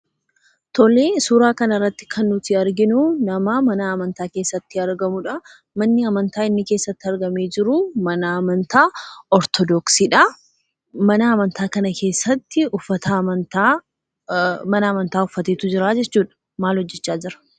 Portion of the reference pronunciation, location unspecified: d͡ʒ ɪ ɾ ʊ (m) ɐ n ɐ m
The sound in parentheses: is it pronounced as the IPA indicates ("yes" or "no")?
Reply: yes